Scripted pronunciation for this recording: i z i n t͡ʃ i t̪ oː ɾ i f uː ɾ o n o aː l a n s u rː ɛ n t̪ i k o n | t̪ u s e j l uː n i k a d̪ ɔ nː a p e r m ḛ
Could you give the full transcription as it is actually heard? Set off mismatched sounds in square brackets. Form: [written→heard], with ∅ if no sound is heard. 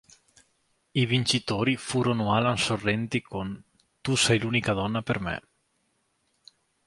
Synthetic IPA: i [z→v] i n t͡ʃ i t̪ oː ɾ i f uː ɾ o n o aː l a n s [u→o] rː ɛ n t̪ i k o n | t̪ u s [e→ɛ] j l uː n i k a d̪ ɔ nː a p e r m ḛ

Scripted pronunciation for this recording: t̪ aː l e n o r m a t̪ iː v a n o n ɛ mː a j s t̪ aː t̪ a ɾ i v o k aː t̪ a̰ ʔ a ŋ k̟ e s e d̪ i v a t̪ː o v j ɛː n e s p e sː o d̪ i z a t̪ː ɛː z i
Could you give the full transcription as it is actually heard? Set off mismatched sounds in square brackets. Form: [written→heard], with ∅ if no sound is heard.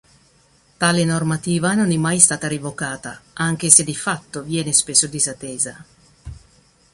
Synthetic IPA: t̪ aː l e n o r m a t̪ iː v a n o n ɛ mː a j s t̪ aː t̪ a ɾ i v o k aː t̪ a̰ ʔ a ŋ k̟ e s e d̪ i [v→f] a t̪ː o v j ɛː n e s p e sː o d̪ i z a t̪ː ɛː z [i→a]

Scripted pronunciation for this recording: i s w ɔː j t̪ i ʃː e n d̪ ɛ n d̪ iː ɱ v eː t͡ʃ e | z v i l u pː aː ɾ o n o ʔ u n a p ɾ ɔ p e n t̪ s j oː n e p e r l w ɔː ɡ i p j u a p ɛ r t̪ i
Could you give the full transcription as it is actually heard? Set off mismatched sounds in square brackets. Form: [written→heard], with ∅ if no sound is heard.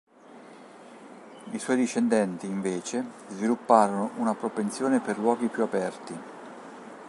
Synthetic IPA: i s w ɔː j [t̪→d̪] i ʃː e n d̪ ɛ n [d̪→t̪] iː ɱ v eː t͡ʃ e | z v i l u pː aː ɾ o n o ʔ u n a p ɾ [ɔ→o] p e n t̪ s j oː n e p e r l w ɔː ɡ i p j u a p ɛ r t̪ i

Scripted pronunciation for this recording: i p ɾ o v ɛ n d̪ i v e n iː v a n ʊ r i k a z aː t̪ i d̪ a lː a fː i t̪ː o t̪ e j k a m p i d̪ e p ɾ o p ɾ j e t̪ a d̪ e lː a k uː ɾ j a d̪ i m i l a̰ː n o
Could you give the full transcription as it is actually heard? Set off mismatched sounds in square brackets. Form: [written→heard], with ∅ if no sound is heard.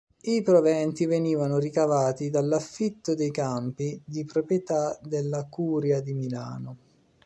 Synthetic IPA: i p ɾ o v ɛ n [d̪→t̪] i v e n iː v a n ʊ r i k a [z→v] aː t̪ i d̪ a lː a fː i t̪ː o [t̪→d̪] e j k a m p i d̪ [e→i] p ɾ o p ɾ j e t̪ a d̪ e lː a k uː ɾ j a d̪ i m i l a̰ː n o

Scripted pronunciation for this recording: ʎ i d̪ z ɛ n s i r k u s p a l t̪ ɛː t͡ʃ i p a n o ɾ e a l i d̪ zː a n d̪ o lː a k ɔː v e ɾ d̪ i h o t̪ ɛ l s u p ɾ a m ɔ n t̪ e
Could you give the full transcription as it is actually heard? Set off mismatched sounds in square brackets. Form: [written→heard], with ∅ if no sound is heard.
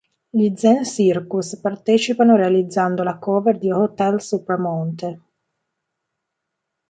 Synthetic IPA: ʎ i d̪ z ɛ n s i r k u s p a [l→r] t̪ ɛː t͡ʃ i p a n o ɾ e a l i d̪ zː a n d̪ o [lː→l] a k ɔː v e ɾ d̪ i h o t̪ ɛ l s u p ɾ a m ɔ n t̪ e

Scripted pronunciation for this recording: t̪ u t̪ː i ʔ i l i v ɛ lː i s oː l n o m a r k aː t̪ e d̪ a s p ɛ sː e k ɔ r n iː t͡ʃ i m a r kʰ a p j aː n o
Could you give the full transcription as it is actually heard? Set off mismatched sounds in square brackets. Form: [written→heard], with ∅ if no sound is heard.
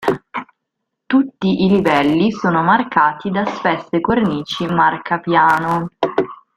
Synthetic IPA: t̪ u t̪ː i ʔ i l i v ɛ lː i s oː [l→∅] n o m a r k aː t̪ [e→i] d̪ a s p ɛ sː e k [ɔ→o] r n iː t͡ʃ i m a r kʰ a p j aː n o

